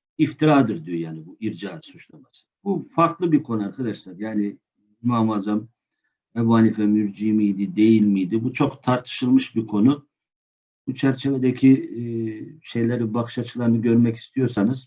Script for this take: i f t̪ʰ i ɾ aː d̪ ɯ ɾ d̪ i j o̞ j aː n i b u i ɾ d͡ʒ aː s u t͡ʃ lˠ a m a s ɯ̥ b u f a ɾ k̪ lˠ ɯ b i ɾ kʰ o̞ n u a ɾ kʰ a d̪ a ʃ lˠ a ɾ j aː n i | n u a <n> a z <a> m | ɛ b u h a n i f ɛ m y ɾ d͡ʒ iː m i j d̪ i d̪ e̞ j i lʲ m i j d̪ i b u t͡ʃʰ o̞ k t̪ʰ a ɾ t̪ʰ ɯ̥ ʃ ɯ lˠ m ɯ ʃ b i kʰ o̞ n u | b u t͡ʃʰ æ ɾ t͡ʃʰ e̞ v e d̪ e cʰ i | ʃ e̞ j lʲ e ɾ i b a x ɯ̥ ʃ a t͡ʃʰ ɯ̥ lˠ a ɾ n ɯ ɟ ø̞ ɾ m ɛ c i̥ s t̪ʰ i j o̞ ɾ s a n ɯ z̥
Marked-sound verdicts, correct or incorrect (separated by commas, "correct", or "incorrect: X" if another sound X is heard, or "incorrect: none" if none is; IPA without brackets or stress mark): incorrect: m, correct